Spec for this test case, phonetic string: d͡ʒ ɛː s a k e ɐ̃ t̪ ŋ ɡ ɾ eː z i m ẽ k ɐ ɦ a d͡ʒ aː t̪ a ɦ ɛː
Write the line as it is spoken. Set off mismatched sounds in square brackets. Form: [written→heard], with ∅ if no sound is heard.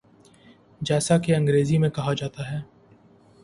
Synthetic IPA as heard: d͡ʒ ɛː s a k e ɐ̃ [t̪→∅] ŋ ɡ ɾ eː z i m ẽ k ɐ ɦ a d͡ʒ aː t̪ a ɦ ɛː

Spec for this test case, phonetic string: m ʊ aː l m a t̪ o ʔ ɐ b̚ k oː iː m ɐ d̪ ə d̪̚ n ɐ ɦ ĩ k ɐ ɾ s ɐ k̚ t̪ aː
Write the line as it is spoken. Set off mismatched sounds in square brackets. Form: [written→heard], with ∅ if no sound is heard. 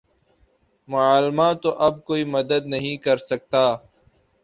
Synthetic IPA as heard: m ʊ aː l m a t̪ o ʔ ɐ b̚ k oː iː m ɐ d̪ ə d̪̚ n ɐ ɦ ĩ k ɐ ɾ s ɐ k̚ t̪ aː

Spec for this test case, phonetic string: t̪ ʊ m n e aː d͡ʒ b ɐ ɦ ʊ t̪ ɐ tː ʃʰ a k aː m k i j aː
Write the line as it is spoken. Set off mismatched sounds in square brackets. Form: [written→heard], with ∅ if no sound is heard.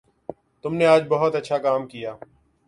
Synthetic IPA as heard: t̪ ʊ m n e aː d͡ʒ b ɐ ɦ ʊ t̪ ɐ tː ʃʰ a k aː m k i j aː

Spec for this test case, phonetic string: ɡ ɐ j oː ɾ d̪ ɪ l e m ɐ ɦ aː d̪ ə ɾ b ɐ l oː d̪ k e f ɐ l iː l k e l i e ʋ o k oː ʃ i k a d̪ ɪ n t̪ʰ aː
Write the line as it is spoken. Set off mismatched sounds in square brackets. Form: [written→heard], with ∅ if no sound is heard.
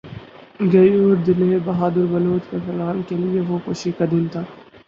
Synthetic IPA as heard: ɡ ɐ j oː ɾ d̪ ɪ l e [m→b] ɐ ɦ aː d̪ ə ɾ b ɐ l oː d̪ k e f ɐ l [iː→aː] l k e l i e ʋ o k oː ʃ i k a d̪ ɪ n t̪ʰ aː

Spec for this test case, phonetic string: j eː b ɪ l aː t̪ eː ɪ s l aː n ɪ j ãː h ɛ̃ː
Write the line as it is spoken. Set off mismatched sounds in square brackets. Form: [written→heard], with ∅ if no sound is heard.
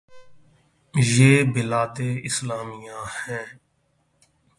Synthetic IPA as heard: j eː b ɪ l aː t̪ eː ɪ s l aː [n→m] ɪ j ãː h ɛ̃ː

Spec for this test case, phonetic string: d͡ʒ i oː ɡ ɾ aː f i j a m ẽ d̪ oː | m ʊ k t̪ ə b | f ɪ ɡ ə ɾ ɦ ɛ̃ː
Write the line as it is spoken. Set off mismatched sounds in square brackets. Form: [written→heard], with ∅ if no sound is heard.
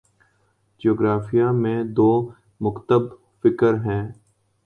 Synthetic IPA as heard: d͡ʒ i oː ɡ ɾ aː f i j a m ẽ d̪ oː | m ʊ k t̪ ə b | f ɪ [ɡ→k] ə ɾ ɦ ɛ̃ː

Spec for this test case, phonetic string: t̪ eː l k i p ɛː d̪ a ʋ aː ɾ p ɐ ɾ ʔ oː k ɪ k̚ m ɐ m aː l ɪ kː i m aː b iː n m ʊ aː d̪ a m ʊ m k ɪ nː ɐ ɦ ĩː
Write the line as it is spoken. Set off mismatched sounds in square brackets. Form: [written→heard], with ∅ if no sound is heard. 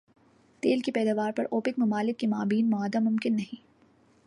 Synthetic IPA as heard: t̪ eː l k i p ɛː d̪ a ʋ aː ɾ p ɐ ɾ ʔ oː [k→p] ɪ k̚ m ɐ m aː l ɪ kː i m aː b iː n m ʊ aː d̪ a m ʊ m k ɪ nː ɐ ɦ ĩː

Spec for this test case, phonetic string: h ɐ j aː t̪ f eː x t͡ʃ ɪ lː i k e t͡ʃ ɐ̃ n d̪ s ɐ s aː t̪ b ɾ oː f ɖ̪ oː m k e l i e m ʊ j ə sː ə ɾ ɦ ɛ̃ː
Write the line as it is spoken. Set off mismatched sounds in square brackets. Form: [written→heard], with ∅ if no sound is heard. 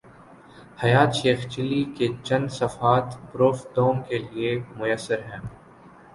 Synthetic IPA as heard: h ɐ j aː t̪ [f→ʃ] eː x t͡ʃ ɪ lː i k e t͡ʃ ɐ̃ n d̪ s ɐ [s→f] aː t̪ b ɾ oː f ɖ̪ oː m k e l i e m ʊ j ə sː ə ɾ ɦ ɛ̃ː

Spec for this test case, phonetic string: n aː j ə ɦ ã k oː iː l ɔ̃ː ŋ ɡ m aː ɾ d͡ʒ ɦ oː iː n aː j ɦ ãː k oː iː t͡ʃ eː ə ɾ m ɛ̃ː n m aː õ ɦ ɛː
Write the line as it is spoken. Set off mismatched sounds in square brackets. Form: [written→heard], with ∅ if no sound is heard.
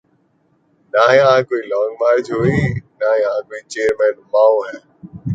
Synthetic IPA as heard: n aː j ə ɦ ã k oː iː l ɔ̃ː ŋ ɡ m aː ɾ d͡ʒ ɦ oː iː n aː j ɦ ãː k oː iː t͡ʃ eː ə ɾ m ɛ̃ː n m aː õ ɦ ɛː

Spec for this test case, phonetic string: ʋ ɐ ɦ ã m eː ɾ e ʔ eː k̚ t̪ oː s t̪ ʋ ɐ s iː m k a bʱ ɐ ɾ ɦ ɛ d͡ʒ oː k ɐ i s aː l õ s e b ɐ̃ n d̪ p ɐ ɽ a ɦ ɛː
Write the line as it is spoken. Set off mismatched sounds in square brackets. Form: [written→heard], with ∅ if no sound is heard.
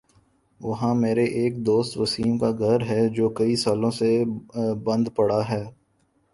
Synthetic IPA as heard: ʋ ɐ ɦ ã m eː ɾ e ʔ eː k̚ [t̪→d̪] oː s t̪ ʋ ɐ s iː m k a [bʱ→ɡʱ] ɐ ɾ ɦ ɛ d͡ʒ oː k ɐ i s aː l õ s e b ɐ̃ n d̪ p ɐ ɽ a ɦ ɛː

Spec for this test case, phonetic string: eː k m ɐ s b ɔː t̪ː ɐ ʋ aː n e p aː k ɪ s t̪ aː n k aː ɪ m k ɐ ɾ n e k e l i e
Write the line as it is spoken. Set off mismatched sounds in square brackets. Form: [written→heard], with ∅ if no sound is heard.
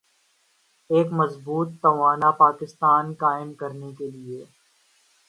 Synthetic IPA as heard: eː k m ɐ [s→z] b [ɔː→uː] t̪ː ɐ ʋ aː n [e→a] p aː k ɪ s t̪ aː n k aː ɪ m k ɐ ɾ n e k e l i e

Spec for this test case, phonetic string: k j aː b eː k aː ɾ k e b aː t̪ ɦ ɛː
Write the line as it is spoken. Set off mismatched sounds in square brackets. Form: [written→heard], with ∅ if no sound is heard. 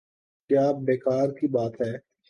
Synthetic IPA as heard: k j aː b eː k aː ɾ k [e→i] b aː t̪ ɦ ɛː

